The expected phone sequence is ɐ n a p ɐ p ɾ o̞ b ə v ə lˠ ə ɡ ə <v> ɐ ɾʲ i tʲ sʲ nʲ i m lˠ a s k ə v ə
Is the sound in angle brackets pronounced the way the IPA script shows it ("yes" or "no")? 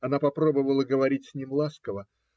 yes